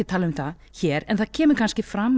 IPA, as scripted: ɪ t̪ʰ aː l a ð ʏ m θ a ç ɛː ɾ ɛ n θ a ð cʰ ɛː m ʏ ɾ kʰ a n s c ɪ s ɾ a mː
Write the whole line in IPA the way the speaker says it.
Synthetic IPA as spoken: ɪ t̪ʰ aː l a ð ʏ m θ a ç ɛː ɾ ɛ n θ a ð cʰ ɛː m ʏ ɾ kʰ a n s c ɪ f ɾ a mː